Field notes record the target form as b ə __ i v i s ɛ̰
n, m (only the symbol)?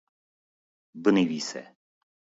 n